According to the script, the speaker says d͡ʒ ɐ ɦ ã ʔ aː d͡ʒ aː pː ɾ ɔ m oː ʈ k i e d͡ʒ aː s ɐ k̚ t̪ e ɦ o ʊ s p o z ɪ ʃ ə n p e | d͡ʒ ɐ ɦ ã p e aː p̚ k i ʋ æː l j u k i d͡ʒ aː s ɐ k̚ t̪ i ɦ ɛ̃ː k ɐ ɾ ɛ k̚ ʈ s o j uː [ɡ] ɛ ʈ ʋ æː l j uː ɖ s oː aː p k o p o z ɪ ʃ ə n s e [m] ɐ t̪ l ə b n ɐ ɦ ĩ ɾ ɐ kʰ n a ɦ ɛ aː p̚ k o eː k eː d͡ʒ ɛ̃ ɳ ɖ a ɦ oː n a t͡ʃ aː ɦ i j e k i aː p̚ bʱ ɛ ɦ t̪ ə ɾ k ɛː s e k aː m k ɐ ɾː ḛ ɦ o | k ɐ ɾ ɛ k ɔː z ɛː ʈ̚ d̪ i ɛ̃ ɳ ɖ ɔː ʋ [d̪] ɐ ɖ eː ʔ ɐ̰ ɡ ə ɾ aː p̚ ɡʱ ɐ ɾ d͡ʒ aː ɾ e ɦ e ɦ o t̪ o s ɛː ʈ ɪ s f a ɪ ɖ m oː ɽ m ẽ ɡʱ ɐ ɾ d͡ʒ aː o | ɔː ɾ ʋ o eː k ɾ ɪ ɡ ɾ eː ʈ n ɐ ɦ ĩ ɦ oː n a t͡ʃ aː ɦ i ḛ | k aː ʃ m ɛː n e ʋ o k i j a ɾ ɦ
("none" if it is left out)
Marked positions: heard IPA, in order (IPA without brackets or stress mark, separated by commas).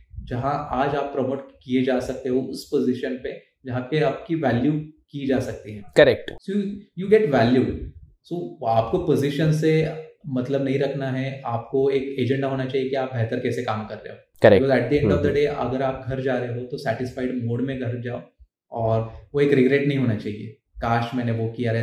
ɡ, m, d̪